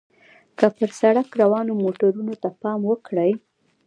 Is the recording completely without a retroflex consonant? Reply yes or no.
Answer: no